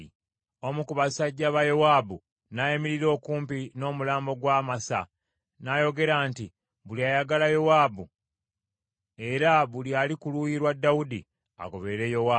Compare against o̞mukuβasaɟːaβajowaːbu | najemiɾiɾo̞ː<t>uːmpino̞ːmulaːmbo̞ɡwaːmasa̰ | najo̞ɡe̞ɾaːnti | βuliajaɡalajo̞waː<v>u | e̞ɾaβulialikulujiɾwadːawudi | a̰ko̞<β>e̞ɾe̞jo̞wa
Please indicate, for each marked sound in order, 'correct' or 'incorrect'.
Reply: incorrect, incorrect, correct

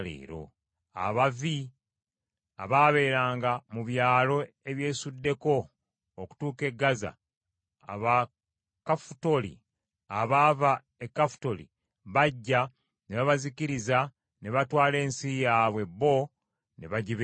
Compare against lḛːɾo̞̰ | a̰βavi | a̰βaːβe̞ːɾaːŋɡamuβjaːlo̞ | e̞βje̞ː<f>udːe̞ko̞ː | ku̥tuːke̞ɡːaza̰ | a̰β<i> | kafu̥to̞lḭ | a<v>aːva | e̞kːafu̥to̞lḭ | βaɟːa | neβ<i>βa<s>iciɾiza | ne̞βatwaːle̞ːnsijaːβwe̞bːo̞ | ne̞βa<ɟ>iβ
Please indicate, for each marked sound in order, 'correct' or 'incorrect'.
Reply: incorrect, incorrect, incorrect, incorrect, incorrect, correct

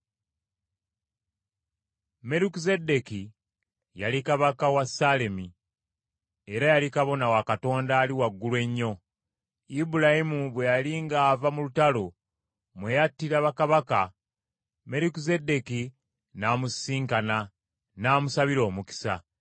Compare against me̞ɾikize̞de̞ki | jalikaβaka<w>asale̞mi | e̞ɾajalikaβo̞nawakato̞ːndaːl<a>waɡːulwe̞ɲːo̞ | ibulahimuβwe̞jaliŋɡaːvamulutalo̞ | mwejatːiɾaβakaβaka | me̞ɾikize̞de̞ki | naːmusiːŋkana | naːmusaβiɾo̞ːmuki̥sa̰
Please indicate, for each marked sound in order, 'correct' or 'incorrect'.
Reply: correct, incorrect

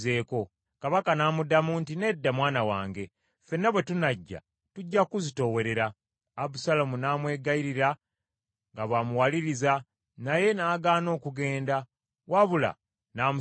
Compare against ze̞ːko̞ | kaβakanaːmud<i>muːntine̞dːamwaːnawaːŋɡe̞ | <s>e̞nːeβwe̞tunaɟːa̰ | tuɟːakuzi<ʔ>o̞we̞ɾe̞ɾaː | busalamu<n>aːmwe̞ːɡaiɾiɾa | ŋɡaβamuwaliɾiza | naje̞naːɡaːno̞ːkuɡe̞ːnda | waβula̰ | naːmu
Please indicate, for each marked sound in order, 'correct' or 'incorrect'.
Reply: incorrect, incorrect, incorrect, correct

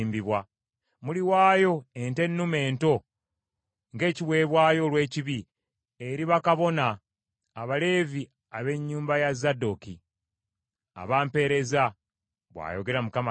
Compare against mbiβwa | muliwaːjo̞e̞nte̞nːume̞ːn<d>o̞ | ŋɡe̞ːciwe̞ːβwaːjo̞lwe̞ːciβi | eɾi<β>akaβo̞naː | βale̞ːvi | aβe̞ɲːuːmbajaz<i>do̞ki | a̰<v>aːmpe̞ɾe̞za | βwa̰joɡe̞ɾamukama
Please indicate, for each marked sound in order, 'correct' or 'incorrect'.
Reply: incorrect, correct, incorrect, incorrect

